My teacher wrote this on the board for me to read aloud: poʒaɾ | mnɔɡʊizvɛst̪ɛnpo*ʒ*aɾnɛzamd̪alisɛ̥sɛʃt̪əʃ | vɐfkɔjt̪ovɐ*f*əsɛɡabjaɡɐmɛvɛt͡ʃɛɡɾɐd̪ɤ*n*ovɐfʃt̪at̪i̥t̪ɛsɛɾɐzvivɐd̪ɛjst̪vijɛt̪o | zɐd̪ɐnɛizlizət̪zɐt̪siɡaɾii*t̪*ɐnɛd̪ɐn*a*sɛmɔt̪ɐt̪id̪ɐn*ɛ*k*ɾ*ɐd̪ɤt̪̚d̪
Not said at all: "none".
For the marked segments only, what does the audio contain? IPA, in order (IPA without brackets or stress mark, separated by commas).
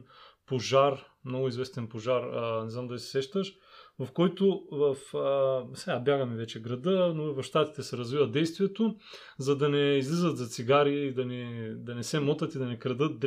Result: ʒ, f, n, d̪, ɛ, ɛ, ɾ